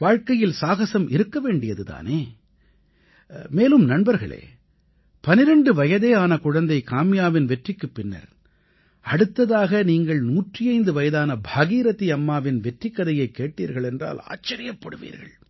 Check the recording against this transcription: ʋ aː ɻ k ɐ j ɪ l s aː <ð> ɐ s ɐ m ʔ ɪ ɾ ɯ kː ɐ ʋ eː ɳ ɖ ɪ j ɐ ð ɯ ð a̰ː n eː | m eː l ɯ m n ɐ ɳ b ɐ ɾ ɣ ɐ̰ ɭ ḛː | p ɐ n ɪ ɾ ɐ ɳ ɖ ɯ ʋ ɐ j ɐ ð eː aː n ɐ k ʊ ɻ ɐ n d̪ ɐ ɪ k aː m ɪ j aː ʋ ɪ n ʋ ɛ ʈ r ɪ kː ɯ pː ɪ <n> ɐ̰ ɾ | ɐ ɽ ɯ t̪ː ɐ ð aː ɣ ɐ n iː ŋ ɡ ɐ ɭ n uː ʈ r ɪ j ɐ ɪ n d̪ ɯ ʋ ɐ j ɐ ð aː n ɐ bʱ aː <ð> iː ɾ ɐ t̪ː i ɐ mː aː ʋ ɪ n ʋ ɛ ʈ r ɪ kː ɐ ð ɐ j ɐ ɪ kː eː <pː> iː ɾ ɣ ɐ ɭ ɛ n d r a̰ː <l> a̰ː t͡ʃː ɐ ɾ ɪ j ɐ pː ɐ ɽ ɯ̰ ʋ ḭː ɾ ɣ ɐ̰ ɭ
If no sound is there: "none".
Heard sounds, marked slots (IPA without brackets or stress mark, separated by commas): ɣ, nː, ɣ, ʈː, l